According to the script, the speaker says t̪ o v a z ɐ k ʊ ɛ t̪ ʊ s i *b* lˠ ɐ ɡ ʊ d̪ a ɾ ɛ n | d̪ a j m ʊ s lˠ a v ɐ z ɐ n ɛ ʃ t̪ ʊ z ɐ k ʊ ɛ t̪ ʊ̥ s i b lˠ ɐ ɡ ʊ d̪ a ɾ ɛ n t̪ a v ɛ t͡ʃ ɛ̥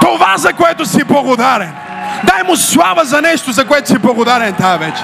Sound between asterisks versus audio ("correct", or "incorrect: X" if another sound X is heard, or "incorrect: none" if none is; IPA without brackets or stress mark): correct